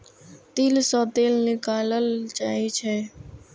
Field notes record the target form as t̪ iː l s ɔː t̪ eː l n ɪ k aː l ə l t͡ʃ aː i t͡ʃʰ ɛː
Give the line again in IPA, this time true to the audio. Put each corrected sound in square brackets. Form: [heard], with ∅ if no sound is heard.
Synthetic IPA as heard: t̪ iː l s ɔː t̪ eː l n ɪ k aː l ə l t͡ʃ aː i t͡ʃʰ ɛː